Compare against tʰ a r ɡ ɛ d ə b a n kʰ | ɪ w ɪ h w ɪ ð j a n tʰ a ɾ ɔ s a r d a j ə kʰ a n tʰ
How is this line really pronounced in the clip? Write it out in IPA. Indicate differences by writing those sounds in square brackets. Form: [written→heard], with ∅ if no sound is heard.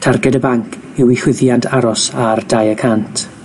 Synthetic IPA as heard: tʰ a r ɡ ɛ d ə b a [n→ŋ] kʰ | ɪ w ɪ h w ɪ ð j a n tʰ a ɾ ɔ s a r d a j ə kʰ a n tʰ